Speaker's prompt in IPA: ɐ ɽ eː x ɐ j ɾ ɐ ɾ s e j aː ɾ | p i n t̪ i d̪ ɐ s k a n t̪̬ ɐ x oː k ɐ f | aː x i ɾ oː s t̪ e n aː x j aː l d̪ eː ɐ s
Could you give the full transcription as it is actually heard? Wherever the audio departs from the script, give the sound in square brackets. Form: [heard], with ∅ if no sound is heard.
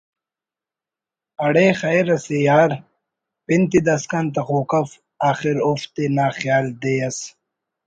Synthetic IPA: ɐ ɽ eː x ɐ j ɾ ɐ [∅] s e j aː ɾ | p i n t̪ i d̪ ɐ s k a n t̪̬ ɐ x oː k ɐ f | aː x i ɾ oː [f] t̪ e n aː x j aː l d̪ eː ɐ s